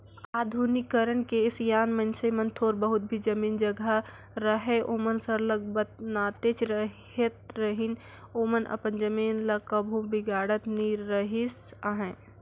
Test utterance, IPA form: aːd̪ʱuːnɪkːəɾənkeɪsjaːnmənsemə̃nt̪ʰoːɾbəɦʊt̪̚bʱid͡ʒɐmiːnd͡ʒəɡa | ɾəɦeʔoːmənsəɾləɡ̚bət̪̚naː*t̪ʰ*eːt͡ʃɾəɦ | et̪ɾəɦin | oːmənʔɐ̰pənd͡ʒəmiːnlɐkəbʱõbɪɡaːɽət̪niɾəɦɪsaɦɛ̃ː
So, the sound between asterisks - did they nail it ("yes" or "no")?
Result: no